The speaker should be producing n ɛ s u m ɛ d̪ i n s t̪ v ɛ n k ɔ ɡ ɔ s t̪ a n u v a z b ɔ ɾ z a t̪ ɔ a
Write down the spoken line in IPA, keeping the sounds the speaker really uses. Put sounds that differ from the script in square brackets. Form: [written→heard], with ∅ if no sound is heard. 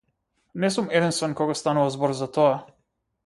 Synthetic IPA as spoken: n ɛ s u m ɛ d̪ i n s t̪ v ɛ n k ɔ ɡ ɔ s t̪ a n u v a z b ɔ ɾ z a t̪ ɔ a